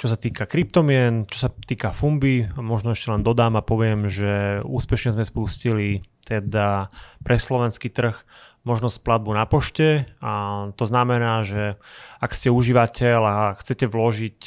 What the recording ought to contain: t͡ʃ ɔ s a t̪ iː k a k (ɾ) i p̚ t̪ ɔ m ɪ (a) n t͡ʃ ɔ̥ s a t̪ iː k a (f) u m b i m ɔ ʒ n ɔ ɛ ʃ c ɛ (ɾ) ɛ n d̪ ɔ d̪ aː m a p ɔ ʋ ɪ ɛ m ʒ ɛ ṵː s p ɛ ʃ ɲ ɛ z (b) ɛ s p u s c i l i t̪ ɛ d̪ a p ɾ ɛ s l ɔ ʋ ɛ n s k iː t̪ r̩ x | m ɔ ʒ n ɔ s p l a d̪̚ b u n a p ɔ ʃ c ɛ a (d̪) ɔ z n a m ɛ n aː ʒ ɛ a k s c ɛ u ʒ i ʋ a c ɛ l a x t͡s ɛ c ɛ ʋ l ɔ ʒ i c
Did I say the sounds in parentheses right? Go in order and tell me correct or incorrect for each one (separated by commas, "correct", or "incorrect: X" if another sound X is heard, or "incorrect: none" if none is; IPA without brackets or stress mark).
correct, incorrect: ɛ, correct, incorrect: l, incorrect: m, incorrect: t̪